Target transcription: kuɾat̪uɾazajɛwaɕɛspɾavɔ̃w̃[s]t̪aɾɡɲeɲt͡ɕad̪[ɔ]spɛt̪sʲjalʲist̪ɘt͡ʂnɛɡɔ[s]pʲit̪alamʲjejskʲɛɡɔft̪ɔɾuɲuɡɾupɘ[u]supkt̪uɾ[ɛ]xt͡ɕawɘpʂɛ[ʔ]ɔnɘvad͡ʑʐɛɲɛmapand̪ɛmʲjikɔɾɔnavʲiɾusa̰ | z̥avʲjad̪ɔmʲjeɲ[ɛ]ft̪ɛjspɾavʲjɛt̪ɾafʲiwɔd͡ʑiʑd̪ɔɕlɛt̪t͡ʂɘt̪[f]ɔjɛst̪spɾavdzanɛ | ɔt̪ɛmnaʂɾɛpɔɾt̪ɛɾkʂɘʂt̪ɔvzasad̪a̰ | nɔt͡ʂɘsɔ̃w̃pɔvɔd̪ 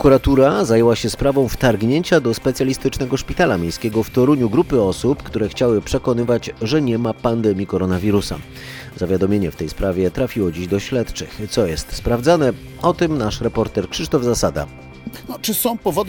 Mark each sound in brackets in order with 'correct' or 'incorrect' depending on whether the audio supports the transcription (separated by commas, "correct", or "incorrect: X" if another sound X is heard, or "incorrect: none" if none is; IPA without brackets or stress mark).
incorrect: f, correct, incorrect: ʂ, incorrect: ɔ, correct, incorrect: k, correct, incorrect: s